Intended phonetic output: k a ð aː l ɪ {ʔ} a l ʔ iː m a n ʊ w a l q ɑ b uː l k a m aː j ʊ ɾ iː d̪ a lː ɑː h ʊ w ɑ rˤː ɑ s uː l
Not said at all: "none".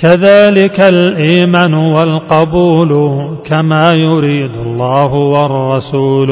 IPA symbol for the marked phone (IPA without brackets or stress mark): k